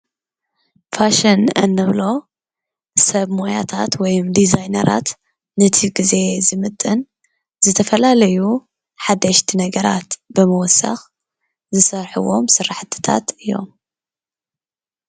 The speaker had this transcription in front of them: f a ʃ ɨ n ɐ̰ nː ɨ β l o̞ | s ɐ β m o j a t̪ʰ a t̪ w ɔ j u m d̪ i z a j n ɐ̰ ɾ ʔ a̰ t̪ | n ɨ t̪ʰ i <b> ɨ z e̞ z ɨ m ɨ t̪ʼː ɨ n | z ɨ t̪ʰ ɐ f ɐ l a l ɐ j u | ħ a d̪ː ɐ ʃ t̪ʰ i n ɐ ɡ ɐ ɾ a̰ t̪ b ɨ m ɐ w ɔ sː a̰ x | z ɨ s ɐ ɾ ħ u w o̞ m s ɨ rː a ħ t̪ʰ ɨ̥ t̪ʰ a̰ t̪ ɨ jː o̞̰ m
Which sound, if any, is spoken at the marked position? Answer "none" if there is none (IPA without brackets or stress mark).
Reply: ɡ